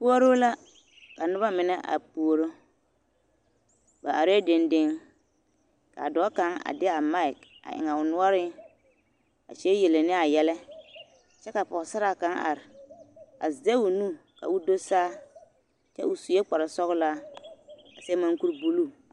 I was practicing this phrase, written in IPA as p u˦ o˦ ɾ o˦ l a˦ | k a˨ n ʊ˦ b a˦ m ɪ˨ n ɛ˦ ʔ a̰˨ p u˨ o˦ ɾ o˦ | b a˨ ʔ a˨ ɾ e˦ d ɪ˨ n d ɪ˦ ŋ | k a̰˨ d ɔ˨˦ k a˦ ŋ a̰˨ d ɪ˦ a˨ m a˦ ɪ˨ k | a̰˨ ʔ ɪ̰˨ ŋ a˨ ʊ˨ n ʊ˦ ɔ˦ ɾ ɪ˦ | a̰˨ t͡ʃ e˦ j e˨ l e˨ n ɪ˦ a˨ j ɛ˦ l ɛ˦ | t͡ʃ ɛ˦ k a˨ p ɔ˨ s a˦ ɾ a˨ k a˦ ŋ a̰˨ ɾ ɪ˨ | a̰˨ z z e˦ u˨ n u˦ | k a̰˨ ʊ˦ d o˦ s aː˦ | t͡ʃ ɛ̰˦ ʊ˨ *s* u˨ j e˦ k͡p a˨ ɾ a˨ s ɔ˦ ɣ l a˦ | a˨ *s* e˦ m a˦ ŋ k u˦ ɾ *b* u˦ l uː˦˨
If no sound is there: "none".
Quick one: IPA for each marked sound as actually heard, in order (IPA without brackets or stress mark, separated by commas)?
s, s, b